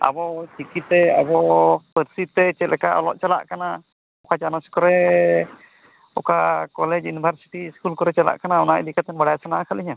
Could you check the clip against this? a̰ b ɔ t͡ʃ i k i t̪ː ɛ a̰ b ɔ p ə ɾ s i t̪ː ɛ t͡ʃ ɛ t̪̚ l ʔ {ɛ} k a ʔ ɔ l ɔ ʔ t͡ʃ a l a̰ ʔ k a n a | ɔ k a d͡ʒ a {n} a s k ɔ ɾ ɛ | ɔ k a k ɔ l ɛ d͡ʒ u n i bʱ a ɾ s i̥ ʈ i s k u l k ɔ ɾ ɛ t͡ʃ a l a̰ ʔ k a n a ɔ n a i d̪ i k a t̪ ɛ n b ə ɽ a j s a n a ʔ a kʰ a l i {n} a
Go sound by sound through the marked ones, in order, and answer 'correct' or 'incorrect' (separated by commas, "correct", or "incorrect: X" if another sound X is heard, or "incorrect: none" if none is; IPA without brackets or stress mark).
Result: correct, correct, incorrect: ɲ